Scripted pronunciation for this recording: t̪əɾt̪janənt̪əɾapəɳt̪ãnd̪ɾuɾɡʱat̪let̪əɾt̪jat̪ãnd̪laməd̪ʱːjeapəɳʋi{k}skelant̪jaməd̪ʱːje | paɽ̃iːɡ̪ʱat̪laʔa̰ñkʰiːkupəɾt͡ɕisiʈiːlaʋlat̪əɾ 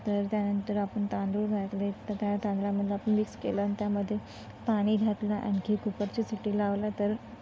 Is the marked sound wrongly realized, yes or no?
no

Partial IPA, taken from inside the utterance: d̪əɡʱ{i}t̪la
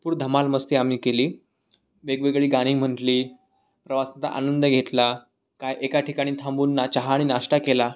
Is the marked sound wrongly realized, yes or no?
yes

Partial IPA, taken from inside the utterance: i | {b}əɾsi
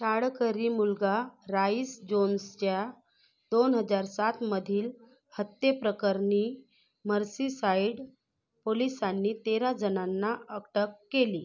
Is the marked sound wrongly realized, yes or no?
yes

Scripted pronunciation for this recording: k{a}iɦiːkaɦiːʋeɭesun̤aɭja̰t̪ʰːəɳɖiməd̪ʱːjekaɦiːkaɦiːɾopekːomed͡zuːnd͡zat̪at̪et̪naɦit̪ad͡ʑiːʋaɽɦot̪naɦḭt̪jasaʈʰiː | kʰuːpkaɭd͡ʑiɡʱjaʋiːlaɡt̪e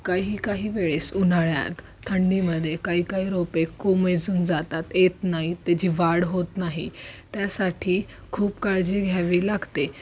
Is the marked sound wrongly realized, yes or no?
no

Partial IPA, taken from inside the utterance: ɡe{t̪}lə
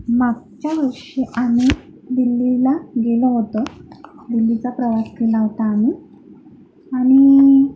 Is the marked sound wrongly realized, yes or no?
yes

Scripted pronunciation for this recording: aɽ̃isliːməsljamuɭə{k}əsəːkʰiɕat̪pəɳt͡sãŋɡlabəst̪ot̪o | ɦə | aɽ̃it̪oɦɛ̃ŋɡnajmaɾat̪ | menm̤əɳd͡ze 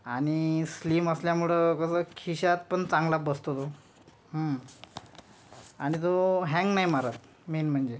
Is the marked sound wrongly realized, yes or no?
no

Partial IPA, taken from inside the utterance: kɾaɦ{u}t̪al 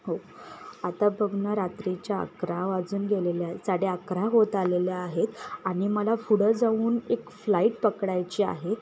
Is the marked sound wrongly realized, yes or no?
yes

